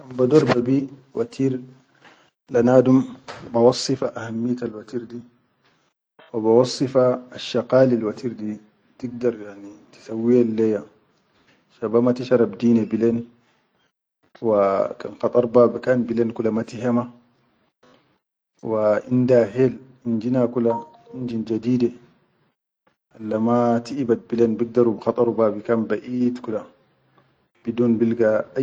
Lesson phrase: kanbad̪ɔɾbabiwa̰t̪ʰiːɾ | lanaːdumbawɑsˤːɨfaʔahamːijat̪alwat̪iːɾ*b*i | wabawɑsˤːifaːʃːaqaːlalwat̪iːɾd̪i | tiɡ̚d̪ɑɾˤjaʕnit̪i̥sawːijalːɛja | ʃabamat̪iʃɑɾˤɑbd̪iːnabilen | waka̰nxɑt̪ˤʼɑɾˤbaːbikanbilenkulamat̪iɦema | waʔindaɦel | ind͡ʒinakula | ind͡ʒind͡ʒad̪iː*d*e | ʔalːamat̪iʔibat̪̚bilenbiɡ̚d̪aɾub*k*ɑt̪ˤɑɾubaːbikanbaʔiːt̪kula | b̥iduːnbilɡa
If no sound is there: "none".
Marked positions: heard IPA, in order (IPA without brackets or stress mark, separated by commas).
d, d, x